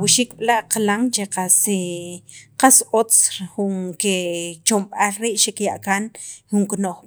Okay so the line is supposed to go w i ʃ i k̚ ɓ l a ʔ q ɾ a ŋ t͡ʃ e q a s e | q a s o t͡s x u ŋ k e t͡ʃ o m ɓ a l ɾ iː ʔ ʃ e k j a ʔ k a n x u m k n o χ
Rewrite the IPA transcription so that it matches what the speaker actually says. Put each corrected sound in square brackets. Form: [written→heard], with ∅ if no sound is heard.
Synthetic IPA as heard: w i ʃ i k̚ ɓ l a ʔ q [ɾ→l] a ŋ t͡ʃ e q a s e | q a s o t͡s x u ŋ k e t͡ʃ o m ɓ a l ɾ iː ʔ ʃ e k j a ʔ k a n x u [m→ŋ] k n o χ